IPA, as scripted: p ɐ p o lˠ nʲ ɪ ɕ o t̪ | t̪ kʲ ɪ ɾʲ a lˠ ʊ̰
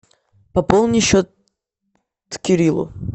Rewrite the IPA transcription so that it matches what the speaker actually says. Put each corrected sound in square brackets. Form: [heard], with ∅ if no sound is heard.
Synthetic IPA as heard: p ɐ p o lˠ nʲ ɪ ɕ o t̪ | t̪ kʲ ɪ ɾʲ [i] lˠ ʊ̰